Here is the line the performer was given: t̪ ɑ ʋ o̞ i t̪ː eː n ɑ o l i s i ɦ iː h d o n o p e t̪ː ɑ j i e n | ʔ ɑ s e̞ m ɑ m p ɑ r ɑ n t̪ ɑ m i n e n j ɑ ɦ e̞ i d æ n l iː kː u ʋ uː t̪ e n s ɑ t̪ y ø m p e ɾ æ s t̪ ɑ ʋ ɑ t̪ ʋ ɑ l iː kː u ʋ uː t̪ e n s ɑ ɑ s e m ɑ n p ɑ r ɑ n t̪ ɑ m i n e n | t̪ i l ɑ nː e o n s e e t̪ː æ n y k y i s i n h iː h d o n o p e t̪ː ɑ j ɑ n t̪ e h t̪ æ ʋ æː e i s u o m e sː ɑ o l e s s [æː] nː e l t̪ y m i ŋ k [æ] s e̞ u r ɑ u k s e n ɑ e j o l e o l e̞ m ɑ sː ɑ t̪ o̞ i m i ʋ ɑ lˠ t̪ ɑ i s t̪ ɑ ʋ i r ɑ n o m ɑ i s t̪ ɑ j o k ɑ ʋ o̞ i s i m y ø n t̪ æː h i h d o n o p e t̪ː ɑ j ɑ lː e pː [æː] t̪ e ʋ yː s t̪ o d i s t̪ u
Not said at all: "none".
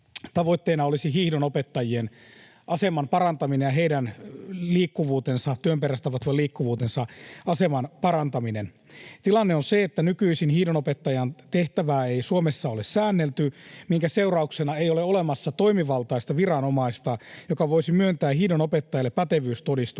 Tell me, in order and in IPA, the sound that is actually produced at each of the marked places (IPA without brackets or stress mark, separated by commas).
æː, æ, æ